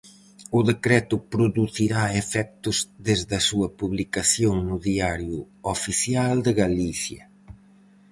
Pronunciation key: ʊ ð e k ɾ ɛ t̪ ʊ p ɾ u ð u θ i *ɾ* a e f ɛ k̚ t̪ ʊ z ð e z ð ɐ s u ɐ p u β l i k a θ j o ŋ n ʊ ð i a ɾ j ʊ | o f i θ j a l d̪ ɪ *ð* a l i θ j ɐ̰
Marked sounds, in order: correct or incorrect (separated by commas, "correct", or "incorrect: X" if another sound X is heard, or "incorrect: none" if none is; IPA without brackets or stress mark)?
correct, incorrect: ɣ